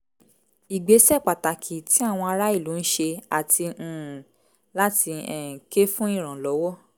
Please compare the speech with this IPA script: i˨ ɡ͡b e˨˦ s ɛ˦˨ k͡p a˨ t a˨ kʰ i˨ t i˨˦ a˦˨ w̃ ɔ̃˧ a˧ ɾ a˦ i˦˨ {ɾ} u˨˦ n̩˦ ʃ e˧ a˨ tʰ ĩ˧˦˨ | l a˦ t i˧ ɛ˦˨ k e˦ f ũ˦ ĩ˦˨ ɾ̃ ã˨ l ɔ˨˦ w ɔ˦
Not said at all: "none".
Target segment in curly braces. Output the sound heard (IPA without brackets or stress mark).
l